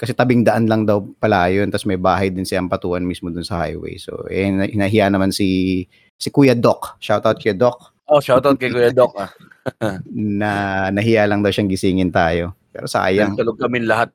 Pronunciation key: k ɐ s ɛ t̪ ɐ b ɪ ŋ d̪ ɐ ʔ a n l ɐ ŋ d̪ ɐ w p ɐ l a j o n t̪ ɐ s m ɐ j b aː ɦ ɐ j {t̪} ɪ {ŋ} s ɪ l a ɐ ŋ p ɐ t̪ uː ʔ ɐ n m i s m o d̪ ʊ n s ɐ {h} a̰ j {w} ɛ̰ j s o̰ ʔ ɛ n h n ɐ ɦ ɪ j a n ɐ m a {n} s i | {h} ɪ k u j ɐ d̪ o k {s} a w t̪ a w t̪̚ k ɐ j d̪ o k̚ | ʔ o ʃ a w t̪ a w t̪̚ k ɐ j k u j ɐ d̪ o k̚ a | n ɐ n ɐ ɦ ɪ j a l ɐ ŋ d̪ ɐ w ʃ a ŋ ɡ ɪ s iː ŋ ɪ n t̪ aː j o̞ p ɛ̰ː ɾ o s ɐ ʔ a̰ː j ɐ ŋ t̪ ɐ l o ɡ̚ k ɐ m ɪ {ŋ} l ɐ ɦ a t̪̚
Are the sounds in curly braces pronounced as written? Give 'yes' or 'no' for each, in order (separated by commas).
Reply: no, no, yes, yes, yes, no, no, no